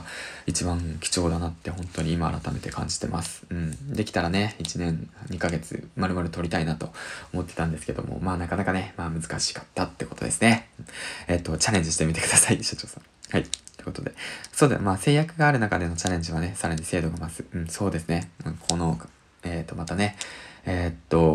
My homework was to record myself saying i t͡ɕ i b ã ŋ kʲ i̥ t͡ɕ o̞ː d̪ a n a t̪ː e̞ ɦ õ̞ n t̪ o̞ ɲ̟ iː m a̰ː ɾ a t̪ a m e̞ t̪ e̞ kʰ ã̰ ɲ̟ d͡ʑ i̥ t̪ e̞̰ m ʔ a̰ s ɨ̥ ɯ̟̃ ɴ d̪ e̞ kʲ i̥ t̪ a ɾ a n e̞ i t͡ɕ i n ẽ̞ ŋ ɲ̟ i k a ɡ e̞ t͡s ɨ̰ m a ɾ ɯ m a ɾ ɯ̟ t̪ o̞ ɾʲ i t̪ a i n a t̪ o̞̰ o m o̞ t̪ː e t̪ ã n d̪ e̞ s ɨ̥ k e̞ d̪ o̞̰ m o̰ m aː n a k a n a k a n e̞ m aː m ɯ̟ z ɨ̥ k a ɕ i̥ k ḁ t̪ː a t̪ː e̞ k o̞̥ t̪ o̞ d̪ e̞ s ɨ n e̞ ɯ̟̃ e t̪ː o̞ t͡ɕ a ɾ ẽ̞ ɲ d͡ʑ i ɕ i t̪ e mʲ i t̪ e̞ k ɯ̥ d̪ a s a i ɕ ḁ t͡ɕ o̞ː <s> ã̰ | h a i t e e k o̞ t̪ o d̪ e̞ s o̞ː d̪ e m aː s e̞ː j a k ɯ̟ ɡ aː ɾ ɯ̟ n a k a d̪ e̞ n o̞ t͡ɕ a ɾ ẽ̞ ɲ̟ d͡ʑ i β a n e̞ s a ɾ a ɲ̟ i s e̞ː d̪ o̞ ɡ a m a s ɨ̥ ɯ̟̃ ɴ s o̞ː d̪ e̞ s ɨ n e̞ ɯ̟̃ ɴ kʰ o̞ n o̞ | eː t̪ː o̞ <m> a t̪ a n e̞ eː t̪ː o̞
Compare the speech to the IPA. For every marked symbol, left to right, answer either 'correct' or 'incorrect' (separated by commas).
correct, correct